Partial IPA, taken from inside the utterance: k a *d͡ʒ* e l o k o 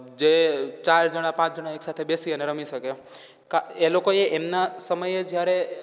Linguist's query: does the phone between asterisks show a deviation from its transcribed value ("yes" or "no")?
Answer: yes